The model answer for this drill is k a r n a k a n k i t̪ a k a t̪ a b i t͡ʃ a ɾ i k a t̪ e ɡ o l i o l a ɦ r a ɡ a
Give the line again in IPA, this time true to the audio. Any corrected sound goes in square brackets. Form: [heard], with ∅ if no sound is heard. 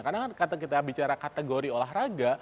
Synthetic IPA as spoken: k a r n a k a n k [a] t̪ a k [i] t̪ a b i t͡ʃ a ɾ [a] k a t̪ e ɡ o [ɾ] i o l a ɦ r a ɡ a